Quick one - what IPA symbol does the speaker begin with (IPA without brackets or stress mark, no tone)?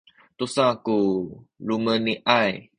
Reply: t̪